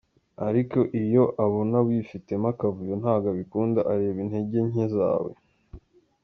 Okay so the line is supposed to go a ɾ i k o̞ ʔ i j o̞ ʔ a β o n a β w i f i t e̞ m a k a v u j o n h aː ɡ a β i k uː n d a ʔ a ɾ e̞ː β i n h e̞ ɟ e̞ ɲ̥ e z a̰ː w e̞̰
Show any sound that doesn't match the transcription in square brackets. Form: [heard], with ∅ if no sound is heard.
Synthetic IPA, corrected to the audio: a ɾ i k o̞ ʔ i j o̞ ʔ a β o n a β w i f i t e̞ m a k a v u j o n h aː ɡ a β i k uː n d a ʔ a ɾ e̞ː β i n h e̞ ɟ e̞ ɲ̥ e z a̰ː w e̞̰